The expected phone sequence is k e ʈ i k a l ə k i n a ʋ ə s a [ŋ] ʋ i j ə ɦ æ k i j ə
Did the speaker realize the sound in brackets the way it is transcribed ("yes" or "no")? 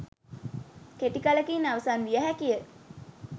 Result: no